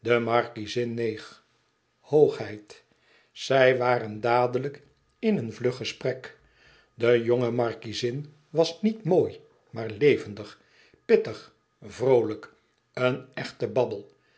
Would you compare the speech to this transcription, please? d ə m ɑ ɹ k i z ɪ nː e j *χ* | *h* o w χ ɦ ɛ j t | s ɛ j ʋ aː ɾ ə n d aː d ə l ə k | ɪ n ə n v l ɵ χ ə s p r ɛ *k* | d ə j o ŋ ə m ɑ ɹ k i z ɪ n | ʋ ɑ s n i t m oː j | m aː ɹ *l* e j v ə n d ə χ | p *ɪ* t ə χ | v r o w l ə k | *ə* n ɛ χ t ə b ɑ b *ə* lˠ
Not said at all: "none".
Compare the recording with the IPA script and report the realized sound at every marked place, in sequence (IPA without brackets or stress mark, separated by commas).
χ, h, k, l, ɪ, ə, ə